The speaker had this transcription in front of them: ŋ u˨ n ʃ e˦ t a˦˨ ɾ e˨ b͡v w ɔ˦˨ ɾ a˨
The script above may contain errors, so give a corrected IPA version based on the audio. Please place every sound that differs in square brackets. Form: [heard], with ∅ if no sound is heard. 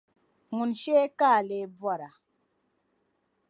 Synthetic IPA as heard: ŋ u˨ n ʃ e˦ [k] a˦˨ [l] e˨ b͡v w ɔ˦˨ ɾ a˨